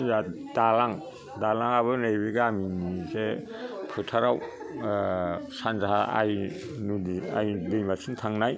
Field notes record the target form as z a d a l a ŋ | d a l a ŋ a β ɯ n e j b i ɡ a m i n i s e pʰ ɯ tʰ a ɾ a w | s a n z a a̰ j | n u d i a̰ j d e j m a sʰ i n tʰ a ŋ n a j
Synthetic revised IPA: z a d a l a ŋ | d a l a ŋ a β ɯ n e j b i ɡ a m i n i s e pʰ ɯ tʰ a ɾ a w | s a n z a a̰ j | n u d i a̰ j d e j m a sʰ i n tʰ a ŋ n a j

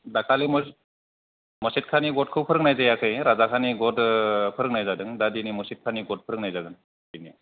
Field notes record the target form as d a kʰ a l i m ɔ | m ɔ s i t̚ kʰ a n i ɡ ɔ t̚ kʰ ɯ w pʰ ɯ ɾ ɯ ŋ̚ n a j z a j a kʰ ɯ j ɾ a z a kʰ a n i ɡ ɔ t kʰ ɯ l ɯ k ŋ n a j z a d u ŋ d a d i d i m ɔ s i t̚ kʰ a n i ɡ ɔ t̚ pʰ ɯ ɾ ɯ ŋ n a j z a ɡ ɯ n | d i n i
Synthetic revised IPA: d a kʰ a l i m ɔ | m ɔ s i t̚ kʰ a n i ɡ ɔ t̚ kʰ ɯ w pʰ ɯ ɾ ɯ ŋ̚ n a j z a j a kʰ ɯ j ɾ a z a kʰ a n i ɡ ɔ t pʰ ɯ ɾ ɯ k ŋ n a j z a d ɯ ŋ d a d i n i m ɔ s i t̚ kʰ a n i ɡ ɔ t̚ pʰ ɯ ɾ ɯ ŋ n a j z a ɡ ɯ n | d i n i

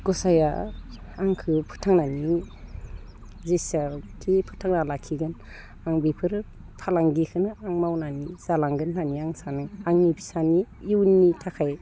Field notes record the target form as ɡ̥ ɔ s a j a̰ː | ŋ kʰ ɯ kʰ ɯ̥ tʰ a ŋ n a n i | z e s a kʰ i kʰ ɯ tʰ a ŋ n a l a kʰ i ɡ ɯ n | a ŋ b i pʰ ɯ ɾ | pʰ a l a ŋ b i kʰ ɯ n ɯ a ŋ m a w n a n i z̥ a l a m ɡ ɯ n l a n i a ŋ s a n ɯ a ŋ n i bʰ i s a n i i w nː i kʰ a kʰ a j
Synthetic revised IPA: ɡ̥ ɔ s a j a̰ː | ŋ kʰ ɯ pʰ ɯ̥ tʰ a ŋ n a n i | z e s a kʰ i pʰ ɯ tʰ a ŋ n a l a kʰ i ɡ ɯ n | a ŋ b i pʰ ɯ ɾ | pʰ a l a ŋ ɡ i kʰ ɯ n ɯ a ŋ m a w n a n i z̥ a l a ŋ ɡ ɯ n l a n i a ŋ s a n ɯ a ŋ n i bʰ i s a n i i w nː i tʰ a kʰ a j

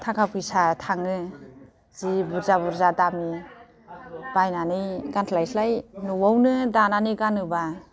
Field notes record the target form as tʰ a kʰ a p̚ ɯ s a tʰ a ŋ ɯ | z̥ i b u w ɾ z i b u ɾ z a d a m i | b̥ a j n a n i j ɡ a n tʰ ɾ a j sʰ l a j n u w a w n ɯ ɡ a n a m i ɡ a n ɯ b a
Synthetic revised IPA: tʰ a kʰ a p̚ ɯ s a tʰ a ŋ ɯ | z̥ i b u ɾ z a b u ɾ z a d a m i | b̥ a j n a n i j ɡ a n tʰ l a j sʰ l a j n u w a w n ɯ d a n a n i ɡ a n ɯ b a

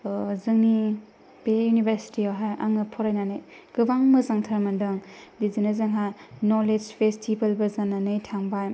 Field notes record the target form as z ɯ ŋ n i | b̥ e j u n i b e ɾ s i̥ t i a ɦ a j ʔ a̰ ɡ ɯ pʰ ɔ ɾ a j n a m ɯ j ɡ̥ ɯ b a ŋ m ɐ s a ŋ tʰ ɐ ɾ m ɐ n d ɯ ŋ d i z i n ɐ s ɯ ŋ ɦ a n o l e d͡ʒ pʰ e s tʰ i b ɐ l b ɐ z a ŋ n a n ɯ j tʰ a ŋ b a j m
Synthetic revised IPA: z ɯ ŋ n i | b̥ e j u n i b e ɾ s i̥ t i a ɦ a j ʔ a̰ ŋ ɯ pʰ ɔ ɾ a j n a n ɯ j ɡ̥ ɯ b a ŋ m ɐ z a ŋ tʰ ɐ ɾ m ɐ n d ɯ ŋ d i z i n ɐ z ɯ ŋ ɦ a n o l e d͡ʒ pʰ e s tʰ i b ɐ l b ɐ z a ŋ n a n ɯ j tʰ a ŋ b a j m

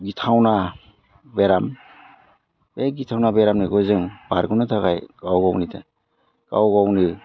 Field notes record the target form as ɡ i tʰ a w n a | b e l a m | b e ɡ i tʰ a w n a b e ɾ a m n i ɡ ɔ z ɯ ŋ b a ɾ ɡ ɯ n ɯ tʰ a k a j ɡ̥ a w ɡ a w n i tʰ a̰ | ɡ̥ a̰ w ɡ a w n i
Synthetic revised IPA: ɡ i tʰ a w n a | b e ɾ a m | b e ɡ i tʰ a w n a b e ɾ a m n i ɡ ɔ z ɯ ŋ b a ɾ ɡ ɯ n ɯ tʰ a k a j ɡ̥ a w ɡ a w n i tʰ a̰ | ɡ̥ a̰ w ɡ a w n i

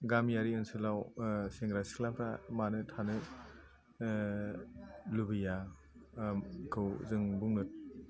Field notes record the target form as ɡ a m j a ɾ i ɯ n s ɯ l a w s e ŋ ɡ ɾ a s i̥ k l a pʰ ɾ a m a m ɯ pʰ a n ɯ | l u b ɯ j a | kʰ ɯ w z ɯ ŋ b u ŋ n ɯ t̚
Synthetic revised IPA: ɡ a m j a ɾ i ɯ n s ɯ l a w s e ŋ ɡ ɾ a s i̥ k l a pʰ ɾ a m a n ɯ tʰ a n ɯ | l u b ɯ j a | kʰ ɯ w z ɯ ŋ b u ŋ n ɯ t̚

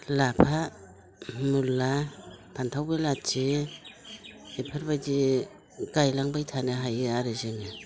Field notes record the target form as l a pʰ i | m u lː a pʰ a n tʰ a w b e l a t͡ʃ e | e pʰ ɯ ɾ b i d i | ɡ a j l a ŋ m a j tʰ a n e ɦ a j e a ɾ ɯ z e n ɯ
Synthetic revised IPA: l a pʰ a | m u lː a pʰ a n tʰ a w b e l a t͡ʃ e | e pʰ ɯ ɾ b a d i | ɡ a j l a ŋ b a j tʰ a n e ɦ a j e a ɾ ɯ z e n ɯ

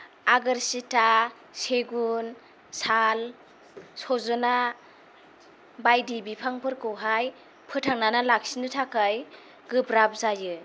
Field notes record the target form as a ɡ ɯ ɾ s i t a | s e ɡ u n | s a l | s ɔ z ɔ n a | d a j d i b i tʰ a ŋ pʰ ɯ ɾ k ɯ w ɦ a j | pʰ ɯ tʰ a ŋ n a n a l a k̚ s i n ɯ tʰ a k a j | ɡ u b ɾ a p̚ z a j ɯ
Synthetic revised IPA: a ɡ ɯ ɾ s i t a | s e ɡ u n | s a l | s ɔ z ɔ n a | b a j d i b i pʰ a ŋ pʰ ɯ ɾ k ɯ w ɦ a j | pʰ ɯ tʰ a ŋ n a n a l a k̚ s i n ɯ tʰ a k a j | ɡ ɯ b ɾ a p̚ z a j ɯ

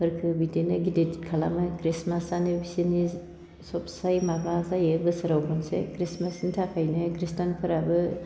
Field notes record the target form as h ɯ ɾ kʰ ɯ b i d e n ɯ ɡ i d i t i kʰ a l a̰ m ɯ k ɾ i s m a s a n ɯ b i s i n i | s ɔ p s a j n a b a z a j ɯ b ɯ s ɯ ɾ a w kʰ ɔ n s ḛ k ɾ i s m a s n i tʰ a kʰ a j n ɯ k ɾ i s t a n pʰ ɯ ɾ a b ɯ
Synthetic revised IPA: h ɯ ɾ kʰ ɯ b i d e n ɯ ɡ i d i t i kʰ a l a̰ m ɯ k ɾ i s m a s a n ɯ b i s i n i | s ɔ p s a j m a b a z a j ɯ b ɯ s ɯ ɾ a w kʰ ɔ n s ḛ k ɾ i s m a s n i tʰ a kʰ a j n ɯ k ɾ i s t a n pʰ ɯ ɾ a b ɯ

